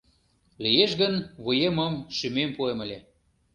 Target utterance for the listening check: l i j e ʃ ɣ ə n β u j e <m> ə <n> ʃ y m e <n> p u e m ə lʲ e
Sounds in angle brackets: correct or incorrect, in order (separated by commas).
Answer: correct, incorrect, incorrect